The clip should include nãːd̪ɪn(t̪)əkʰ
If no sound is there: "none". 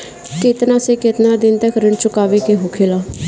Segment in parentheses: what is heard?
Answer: t̪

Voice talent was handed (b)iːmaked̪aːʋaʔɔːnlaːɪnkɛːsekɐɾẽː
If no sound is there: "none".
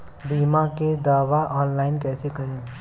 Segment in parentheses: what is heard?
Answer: b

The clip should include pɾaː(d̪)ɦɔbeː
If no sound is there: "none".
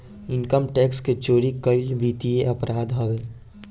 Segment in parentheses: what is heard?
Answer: d̪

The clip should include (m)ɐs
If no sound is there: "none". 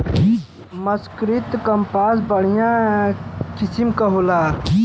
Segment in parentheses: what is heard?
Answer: m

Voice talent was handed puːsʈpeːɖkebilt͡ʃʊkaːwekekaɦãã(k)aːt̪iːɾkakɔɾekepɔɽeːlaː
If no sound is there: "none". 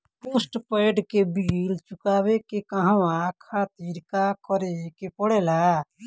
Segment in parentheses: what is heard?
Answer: kʰ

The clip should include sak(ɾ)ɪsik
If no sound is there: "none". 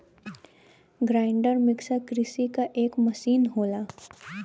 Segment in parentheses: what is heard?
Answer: ɾ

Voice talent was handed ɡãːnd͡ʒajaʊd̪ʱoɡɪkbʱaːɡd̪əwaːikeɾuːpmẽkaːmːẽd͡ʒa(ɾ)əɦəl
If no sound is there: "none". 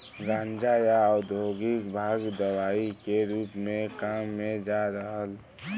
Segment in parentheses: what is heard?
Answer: ɾ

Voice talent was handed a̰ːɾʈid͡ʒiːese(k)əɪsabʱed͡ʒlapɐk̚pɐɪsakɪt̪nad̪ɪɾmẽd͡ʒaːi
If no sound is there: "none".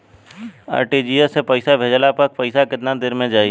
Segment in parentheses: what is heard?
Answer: p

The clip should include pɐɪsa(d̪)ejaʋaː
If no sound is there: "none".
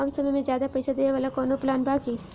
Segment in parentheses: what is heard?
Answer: d̪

